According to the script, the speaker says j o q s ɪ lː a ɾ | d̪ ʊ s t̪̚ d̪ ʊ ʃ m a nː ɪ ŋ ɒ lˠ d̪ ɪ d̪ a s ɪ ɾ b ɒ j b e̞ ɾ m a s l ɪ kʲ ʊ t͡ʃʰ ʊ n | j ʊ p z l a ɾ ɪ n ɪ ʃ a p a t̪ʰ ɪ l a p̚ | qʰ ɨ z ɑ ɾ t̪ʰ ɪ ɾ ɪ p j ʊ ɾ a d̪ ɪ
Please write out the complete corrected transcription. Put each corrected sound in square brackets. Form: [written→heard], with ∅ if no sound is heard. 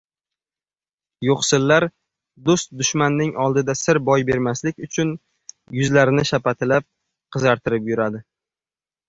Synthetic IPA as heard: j o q s ɪ lː a ɾ | d̪ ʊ s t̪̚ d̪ ʊ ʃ m a nː ɪ ŋ ɒ lˠ d̪ ɪ d̪ a s ɪ ɾ b ɒ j b e̞ ɾ m a s l ɪ kʲ ʊ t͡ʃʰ ʊ n | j ʊ [p→∅] z l a ɾ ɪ n ɪ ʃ a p a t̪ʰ ɪ l a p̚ | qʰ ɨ z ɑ ɾ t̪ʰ ɪ ɾ ɪ p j ʊ ɾ a d̪ ɪ

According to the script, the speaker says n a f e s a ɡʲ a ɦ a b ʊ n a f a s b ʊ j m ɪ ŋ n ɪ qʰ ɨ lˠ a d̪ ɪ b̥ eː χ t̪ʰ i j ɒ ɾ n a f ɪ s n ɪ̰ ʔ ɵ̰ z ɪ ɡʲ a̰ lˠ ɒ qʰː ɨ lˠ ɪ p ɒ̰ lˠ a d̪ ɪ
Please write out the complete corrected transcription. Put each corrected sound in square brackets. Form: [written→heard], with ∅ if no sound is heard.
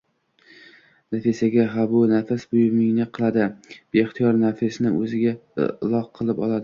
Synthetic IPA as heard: n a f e s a ɡʲ a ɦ a b ʊ n a f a s b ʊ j m ɪ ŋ n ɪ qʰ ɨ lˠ a d̪ ɪ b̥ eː χ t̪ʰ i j ɒ ɾ n a f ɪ s n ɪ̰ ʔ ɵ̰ z ɪ ɡʲ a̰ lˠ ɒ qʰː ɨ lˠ ɪ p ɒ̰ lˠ a d̪ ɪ

